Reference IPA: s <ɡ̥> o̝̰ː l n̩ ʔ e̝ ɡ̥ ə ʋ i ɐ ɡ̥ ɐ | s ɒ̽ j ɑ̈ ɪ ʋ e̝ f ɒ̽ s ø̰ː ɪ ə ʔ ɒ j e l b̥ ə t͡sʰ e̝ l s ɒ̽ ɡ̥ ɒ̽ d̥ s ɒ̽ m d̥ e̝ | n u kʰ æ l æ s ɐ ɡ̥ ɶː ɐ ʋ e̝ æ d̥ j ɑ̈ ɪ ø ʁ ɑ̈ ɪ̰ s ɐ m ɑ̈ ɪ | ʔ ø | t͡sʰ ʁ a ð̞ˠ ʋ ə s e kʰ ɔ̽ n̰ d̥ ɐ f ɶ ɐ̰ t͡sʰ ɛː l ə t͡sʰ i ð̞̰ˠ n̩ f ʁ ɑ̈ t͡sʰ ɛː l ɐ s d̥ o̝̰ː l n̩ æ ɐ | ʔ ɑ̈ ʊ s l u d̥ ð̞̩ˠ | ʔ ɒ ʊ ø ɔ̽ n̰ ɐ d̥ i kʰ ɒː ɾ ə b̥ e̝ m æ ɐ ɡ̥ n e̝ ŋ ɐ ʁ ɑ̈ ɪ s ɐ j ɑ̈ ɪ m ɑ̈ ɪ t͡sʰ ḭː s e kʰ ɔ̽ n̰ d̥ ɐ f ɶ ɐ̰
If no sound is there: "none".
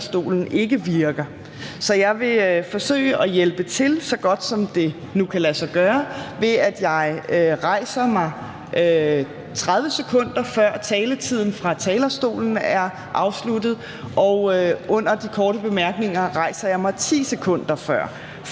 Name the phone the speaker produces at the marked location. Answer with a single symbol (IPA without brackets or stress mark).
d̥